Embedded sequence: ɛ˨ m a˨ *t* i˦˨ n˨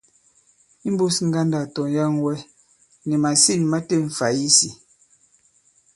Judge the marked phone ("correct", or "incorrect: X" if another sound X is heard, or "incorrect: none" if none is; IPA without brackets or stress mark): incorrect: s